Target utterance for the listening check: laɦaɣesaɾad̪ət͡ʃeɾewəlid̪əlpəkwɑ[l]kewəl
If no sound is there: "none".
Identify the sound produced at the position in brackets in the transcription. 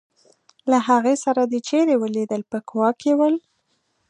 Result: none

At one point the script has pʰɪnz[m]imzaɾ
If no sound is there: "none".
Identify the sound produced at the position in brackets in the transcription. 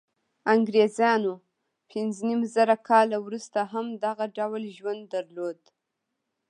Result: n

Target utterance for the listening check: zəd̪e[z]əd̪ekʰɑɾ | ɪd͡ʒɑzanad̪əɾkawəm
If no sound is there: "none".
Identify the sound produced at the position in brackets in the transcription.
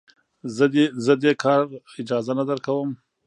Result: z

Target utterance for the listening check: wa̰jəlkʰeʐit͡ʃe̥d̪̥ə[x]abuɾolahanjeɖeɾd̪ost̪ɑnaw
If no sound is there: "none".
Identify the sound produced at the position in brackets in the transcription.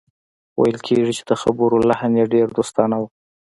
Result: x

